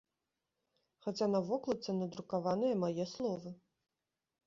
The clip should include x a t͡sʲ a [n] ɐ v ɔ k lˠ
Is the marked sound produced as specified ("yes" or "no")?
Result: yes